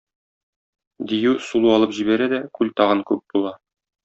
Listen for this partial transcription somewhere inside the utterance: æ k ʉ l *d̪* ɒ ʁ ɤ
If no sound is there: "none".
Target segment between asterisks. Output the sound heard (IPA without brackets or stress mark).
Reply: t̪